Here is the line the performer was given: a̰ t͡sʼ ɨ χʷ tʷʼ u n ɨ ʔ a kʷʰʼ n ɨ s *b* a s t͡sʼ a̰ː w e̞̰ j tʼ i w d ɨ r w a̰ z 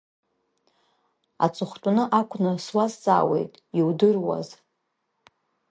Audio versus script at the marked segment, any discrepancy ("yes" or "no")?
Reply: yes